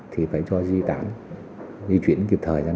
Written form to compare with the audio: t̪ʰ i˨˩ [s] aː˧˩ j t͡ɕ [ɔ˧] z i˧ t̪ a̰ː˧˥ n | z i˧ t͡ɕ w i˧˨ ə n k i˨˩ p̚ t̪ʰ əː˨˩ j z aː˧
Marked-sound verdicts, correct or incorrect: incorrect: f, correct

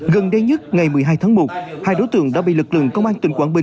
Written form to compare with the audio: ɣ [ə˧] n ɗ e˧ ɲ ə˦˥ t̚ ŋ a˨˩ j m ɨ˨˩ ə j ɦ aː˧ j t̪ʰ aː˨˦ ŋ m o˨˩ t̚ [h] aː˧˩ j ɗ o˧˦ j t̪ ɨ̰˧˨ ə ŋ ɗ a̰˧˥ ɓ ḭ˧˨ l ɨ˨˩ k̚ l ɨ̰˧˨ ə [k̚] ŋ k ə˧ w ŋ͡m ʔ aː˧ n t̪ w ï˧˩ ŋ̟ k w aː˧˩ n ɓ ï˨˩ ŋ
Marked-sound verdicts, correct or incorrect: incorrect: ə˨˩, correct, incorrect: none

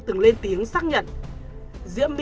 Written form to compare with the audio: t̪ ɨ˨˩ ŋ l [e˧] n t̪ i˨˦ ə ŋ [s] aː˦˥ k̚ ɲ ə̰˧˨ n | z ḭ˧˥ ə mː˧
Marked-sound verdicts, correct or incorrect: correct, correct

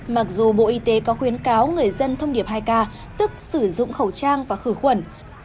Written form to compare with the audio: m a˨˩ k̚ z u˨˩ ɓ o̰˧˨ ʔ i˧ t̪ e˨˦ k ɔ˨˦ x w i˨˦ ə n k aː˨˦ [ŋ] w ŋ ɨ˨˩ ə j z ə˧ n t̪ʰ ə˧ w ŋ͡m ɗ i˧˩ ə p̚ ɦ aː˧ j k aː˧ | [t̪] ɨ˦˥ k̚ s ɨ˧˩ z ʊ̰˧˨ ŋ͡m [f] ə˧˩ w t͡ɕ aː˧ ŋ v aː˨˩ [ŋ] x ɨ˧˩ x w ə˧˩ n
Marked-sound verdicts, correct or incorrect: incorrect: none, correct, incorrect: x, incorrect: none

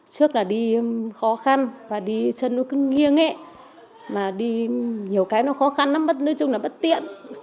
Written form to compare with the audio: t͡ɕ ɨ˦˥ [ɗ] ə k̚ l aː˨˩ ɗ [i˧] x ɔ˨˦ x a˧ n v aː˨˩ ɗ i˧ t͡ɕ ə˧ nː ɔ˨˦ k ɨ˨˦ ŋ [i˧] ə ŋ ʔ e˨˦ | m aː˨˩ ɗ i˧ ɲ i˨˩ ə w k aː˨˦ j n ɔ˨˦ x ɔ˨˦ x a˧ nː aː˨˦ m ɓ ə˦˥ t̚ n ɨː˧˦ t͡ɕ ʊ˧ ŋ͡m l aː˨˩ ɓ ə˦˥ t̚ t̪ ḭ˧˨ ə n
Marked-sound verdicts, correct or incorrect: incorrect: none, correct, correct

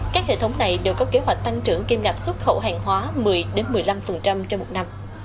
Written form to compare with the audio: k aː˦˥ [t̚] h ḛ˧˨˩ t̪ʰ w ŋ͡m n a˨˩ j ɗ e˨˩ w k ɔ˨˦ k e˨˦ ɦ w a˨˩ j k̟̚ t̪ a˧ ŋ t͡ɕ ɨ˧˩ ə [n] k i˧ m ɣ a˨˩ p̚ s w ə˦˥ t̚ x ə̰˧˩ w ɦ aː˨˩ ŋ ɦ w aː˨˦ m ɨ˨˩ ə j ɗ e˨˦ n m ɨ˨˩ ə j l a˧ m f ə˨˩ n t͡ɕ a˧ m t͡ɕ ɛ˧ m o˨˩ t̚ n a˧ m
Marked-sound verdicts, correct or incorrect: incorrect: k̚, incorrect: ŋ

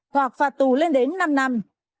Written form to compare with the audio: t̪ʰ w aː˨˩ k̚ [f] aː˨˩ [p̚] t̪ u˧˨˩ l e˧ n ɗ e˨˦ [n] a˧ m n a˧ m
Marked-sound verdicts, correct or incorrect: correct, incorrect: t̚, incorrect: nː

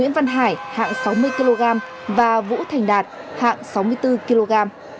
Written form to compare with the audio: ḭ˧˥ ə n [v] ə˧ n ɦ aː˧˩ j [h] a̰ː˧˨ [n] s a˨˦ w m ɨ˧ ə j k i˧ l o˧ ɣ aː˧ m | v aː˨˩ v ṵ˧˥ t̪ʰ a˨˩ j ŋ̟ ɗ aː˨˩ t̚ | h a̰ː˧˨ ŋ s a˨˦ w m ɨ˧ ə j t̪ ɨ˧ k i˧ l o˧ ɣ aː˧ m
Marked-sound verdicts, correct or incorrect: correct, correct, incorrect: ŋ

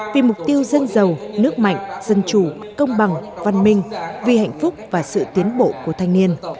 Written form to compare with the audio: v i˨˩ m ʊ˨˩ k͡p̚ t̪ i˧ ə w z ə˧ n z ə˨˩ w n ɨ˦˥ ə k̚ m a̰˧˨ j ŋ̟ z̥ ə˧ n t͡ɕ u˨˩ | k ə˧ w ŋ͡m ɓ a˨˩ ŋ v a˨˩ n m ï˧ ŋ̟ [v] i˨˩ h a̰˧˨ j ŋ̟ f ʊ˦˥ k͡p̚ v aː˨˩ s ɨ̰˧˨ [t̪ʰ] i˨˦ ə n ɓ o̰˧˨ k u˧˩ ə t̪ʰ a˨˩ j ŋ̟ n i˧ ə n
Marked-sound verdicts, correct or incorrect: correct, incorrect: t̪

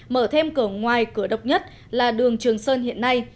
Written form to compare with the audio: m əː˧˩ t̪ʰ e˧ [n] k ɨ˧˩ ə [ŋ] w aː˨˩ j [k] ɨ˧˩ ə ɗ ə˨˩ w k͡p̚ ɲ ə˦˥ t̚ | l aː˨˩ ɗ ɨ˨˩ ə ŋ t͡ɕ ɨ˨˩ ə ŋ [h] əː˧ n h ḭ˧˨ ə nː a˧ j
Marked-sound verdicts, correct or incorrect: incorrect: m, correct, correct, incorrect: s

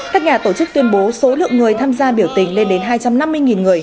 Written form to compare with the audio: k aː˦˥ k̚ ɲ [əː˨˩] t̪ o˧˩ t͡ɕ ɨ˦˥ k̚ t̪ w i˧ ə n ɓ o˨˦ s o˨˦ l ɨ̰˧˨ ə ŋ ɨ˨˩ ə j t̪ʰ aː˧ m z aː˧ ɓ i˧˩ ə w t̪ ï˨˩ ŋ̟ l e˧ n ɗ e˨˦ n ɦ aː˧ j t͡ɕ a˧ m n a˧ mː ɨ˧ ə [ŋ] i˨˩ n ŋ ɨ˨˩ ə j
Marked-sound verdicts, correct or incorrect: incorrect: aː˨˩, correct

